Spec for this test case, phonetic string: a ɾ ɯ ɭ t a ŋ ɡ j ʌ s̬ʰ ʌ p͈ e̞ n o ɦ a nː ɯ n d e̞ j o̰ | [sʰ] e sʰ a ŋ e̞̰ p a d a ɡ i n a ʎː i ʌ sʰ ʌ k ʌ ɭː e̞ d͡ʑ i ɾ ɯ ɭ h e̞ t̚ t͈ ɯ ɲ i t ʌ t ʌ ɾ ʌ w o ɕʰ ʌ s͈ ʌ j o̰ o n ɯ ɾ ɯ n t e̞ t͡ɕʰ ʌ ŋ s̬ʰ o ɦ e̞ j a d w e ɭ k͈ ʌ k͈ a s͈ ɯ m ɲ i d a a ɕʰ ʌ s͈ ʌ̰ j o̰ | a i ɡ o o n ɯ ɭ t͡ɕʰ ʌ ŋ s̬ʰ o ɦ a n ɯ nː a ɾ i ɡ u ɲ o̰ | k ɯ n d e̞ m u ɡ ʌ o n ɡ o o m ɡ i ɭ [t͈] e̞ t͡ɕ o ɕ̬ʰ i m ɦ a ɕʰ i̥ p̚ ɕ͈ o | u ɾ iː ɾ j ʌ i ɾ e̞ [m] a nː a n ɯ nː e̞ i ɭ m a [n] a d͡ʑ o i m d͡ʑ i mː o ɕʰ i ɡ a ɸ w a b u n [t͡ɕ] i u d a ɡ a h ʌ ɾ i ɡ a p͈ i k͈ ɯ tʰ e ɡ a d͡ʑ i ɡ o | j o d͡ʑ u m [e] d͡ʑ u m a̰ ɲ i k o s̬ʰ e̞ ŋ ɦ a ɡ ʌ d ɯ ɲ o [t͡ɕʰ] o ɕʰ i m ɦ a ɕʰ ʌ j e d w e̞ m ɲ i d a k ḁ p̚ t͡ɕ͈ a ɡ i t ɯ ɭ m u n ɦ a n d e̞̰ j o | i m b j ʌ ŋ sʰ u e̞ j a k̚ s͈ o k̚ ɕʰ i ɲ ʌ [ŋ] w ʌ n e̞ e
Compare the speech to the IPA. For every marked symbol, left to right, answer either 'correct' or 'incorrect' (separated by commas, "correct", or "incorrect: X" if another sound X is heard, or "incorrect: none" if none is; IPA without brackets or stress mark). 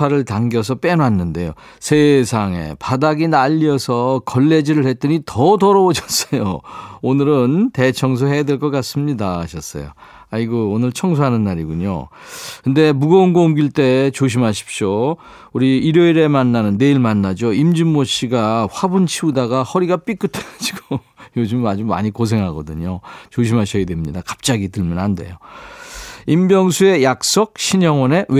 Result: correct, correct, correct, incorrect: nː, incorrect: t͡ɕʰ, incorrect: a, incorrect: t͡ɕ, correct